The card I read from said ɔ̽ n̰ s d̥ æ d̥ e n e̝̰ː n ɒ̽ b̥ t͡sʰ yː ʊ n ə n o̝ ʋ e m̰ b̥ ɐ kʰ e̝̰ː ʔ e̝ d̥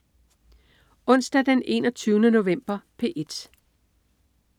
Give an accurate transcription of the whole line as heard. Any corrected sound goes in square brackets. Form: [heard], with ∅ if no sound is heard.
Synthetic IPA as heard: ɔ̽ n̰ s d̥ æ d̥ e n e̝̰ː n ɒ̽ [∅] t͡sʰ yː ʊ n ə n o̝ ʋ e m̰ b̥ ɐ [pʰ] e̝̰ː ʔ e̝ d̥